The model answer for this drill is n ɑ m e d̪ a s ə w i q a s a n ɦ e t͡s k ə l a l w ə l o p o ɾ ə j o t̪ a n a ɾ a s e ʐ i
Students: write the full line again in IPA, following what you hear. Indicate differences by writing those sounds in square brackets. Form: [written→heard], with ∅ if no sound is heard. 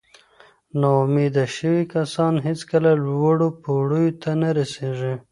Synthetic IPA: n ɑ m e d̪ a [s→ʃ] ə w i [q→k] a s [a→ɑ] n ɦ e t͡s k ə l a l w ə [l→ɽ] o p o [ɾ→ɽ] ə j o t̪ a n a ɾ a s e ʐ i